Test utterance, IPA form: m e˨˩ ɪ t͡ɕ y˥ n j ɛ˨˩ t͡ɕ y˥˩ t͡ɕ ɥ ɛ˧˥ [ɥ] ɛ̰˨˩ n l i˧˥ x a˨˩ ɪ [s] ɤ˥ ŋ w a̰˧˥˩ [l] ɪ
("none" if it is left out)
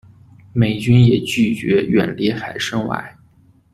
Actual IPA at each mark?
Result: ɥ, ʂ, none

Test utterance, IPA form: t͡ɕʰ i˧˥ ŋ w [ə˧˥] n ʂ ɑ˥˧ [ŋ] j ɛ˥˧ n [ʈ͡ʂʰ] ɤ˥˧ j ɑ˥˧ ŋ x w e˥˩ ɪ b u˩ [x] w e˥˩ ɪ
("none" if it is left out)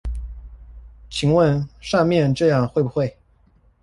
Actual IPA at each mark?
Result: ə˥˧, m, ʈ͡ʂ, x

